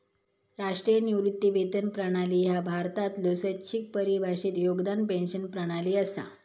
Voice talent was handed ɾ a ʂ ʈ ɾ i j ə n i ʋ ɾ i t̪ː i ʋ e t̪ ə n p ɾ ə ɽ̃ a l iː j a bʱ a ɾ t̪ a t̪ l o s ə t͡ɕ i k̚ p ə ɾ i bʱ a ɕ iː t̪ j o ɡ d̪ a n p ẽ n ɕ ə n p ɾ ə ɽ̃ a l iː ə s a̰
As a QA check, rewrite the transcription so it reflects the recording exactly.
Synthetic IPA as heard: ɾ a ʂ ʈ ɾ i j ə n i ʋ ɾ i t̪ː i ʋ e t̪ ə n p ɾ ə ɽ̃ a l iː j a bʱ a ɾ t̪ a t̪ l o s ə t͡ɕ i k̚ p ə ɾ i bʱ a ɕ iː t̪ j o ɡ d̪ a n p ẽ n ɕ ə n p ɾ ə ɽ̃ a l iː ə s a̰